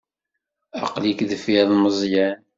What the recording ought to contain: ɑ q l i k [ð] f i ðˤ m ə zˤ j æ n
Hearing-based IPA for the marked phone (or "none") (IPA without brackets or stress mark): ð